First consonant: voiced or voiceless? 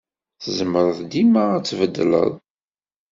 voiceless